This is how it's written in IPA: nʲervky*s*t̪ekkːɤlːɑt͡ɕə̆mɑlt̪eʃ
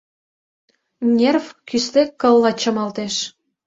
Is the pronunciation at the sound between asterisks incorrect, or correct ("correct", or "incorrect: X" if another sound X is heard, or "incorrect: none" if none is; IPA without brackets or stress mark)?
correct